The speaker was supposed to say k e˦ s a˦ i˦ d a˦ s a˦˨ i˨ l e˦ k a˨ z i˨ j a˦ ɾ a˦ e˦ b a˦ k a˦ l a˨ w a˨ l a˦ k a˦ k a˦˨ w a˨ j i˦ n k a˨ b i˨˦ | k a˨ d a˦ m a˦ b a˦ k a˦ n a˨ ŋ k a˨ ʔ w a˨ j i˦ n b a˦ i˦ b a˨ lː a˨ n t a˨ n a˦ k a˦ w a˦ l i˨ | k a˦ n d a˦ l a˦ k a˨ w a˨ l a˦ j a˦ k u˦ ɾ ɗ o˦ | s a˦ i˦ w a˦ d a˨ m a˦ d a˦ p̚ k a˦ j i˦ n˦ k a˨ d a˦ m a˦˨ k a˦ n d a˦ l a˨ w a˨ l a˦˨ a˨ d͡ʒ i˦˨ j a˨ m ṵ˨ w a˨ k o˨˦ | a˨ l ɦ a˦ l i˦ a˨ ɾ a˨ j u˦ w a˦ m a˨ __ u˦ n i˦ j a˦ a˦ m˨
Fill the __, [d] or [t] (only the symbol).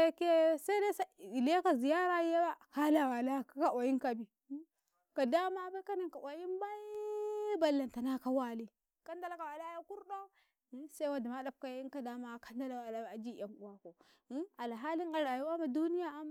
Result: d